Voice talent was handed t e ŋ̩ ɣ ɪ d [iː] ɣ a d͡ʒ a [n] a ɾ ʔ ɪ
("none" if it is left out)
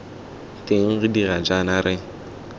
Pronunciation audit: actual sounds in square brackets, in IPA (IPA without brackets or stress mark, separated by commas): i, n